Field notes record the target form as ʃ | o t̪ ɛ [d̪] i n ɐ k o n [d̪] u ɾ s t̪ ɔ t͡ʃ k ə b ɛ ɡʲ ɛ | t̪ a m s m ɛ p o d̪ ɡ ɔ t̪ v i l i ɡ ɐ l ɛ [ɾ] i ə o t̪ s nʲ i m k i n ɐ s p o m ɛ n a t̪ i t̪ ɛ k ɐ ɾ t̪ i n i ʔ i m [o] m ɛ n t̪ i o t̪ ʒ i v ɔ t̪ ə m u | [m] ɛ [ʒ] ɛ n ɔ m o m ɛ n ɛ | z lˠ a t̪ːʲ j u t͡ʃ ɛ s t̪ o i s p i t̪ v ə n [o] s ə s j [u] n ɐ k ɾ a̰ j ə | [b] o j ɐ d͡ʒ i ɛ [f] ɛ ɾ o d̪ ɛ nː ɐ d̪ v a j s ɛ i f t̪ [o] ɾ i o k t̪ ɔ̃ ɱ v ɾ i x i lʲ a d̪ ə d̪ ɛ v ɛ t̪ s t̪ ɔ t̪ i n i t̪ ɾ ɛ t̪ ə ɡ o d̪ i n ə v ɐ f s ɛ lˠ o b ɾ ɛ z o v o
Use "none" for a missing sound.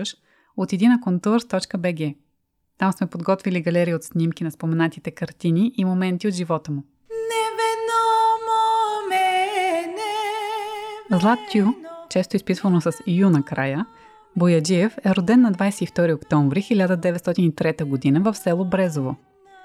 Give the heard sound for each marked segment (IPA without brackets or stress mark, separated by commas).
d̪, t̪, ɾ, o, n, v, o, u, b, f, ɔ